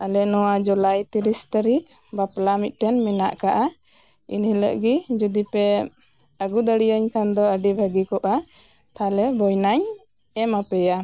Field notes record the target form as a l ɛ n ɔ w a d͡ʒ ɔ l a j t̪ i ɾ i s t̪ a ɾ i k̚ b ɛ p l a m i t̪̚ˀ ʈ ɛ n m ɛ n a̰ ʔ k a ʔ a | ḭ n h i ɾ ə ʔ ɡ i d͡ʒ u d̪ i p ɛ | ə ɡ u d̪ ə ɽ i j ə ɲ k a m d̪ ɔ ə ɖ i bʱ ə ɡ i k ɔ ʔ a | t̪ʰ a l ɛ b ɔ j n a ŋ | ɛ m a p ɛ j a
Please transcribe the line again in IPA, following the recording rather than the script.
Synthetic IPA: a l ɛ n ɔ w a d͡ʒ ɔ l a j t̪ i ɾ i s t̪ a ɾ i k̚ b a p l a m i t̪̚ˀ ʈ ɛ n m ɛ n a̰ ʔ k a ʔ a | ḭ n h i l ə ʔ ɡ i d͡ʒ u d̪ i p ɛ | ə ɡ u d̪ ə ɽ i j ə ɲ k a n d̪ ɔ ə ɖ i bʱ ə ɡ i k ɔ ʔ a | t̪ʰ a l ɛ b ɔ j n a ɲ | ɛ m a p ɛ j a